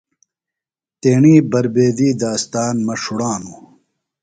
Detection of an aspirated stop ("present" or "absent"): absent